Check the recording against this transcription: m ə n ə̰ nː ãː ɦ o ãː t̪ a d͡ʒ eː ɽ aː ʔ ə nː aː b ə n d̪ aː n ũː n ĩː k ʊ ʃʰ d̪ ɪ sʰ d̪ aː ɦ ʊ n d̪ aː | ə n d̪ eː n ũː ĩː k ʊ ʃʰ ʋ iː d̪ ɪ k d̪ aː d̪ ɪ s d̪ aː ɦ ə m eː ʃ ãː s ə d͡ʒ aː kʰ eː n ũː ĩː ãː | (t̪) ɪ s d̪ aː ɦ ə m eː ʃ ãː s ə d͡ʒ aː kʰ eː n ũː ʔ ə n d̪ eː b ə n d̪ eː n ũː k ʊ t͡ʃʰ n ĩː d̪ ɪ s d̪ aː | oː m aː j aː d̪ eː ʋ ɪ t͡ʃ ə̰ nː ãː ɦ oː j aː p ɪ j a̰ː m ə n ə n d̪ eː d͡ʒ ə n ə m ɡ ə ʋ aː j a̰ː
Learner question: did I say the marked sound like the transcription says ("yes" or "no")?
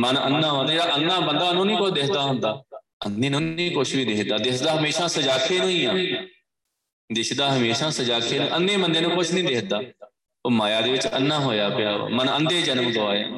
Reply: no